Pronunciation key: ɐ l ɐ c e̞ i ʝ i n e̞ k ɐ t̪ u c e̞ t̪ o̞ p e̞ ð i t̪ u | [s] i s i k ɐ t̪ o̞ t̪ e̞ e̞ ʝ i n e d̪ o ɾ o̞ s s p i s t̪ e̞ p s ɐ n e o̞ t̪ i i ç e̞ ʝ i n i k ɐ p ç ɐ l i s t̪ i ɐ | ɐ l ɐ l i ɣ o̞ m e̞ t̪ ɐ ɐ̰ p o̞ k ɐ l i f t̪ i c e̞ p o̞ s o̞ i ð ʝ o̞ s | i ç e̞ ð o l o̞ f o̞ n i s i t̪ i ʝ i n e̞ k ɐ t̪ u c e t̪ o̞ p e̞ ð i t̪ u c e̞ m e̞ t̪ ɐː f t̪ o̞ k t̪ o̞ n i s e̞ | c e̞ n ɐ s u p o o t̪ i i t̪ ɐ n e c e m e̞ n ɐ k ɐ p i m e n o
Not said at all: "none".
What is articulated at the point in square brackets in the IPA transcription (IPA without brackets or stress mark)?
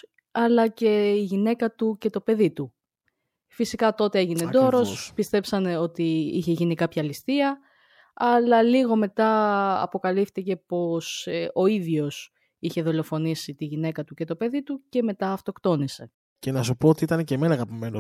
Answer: f